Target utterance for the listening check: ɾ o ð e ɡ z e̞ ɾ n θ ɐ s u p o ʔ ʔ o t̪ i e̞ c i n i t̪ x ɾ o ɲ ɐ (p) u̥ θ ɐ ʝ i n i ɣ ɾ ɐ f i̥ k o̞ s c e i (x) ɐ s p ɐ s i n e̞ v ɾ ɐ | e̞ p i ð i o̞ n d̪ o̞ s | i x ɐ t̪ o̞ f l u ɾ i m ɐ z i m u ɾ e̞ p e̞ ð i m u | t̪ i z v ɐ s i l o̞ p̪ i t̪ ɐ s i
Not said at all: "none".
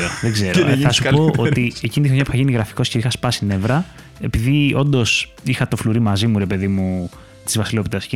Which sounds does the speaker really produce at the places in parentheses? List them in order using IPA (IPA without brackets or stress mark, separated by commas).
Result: p, x